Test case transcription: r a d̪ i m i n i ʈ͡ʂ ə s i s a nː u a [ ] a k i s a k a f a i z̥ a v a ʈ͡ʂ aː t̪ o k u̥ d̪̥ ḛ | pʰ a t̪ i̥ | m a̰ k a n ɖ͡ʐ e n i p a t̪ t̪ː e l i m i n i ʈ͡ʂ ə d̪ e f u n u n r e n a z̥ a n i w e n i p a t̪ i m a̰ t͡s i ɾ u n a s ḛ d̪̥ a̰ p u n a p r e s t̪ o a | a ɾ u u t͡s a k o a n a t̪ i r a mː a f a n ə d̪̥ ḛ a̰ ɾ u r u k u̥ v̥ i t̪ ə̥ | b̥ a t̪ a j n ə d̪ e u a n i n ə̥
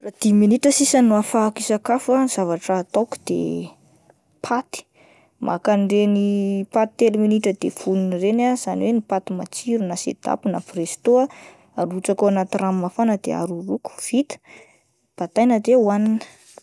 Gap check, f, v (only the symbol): f